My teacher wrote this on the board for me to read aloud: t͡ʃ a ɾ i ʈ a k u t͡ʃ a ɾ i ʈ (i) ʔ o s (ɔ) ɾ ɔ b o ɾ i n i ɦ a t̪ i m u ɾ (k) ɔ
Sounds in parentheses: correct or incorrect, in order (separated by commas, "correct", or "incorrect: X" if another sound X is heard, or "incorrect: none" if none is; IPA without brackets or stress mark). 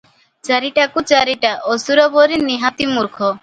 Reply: incorrect: a, incorrect: u, incorrect: kʰ